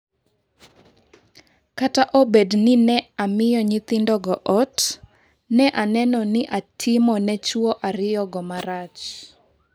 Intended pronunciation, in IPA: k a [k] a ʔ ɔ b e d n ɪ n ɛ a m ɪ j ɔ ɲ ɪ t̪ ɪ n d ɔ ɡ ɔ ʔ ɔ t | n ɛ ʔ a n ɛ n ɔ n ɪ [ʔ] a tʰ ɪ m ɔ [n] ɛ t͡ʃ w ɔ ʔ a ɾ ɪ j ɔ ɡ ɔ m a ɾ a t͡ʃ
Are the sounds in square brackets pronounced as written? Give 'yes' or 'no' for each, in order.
no, yes, yes

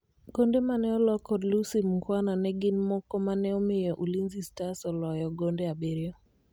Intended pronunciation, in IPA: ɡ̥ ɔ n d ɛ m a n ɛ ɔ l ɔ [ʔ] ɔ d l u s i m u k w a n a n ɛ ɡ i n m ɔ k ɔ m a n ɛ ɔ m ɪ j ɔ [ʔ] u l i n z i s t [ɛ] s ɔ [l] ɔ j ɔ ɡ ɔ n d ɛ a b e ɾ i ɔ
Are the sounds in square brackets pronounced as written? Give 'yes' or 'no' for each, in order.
no, yes, no, yes

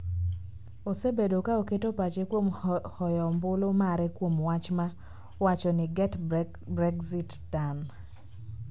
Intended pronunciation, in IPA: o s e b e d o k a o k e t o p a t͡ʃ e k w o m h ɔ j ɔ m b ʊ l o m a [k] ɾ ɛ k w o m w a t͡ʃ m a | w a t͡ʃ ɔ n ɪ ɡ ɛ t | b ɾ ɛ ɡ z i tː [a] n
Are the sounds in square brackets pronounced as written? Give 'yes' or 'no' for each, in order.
no, yes

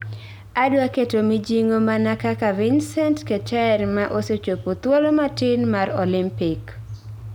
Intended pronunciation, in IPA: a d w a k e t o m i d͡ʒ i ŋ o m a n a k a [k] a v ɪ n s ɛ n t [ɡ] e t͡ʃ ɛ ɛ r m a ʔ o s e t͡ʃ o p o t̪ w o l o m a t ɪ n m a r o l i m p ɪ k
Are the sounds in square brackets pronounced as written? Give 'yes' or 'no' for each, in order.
yes, no

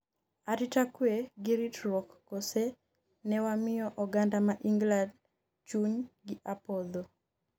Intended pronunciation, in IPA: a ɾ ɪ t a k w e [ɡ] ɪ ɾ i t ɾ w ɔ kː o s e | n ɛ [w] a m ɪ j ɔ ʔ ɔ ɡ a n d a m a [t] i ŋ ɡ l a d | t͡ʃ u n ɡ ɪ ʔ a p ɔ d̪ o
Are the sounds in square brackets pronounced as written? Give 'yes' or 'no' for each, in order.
yes, yes, no

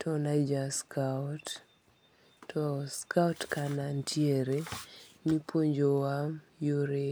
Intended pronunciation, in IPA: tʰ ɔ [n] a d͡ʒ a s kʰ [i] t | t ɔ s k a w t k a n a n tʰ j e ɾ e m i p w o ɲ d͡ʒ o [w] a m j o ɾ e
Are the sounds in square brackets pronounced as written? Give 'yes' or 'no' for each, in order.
yes, no, yes

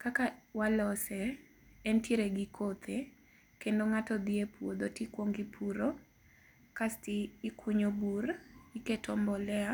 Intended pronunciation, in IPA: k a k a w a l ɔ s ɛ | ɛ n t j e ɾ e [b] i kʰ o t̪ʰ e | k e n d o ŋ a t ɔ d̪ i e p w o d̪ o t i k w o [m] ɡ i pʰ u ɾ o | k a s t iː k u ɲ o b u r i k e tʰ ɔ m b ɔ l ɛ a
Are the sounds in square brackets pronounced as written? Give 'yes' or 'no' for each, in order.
no, no

